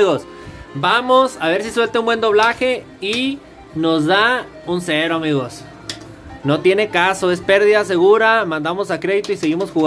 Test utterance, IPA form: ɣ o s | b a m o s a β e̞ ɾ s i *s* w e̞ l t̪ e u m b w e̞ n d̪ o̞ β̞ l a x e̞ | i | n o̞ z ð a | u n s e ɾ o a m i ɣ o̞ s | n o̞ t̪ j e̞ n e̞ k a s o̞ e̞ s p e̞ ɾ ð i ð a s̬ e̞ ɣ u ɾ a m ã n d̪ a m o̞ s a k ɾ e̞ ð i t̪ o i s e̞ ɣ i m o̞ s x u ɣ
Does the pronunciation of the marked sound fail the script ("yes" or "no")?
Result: no